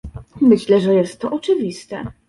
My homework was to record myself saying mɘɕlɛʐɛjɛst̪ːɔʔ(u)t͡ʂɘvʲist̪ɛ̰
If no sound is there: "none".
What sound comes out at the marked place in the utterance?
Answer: ɔ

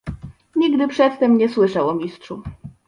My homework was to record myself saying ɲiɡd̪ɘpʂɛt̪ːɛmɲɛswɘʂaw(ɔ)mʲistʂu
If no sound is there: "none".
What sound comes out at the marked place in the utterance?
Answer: ɔ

